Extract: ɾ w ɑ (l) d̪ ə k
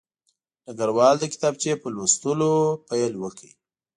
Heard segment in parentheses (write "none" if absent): l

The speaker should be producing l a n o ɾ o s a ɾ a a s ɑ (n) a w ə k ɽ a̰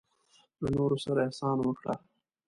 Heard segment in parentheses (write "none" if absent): n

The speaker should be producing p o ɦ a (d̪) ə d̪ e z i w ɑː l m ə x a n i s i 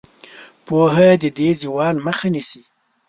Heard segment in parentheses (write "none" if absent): d̪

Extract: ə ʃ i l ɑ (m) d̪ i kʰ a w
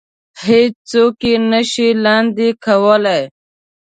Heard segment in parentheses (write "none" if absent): n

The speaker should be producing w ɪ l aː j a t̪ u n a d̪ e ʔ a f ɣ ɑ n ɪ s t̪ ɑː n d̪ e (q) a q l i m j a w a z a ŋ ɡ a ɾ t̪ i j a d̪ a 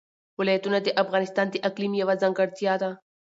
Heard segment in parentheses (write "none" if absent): ʔ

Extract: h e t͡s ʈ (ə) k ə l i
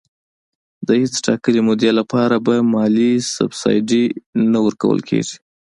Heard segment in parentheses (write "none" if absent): ɑ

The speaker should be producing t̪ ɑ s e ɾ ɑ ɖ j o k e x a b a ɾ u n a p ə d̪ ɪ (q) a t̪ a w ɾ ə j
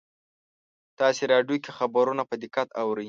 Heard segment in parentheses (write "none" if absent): k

